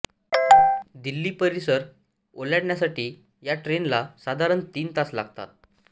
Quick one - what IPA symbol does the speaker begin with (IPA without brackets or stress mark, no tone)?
d̪